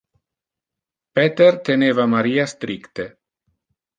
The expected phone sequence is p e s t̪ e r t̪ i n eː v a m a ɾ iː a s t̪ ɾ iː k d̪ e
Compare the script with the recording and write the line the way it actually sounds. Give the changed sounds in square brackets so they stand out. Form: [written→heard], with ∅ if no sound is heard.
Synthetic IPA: p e [s→∅] t̪ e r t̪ [i→e] n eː v a m a ɾ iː a s t̪ ɾ [iː→i] k [d̪→t̪] e